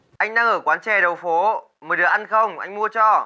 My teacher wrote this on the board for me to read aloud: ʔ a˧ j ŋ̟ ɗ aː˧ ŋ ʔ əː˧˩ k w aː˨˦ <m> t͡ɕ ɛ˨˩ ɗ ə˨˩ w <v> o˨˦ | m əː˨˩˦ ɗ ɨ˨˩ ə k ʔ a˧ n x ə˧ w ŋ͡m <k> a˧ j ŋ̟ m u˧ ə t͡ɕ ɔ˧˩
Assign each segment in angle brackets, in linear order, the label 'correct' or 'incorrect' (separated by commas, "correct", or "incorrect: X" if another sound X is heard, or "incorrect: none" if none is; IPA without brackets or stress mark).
incorrect: n, incorrect: f, incorrect: ʔ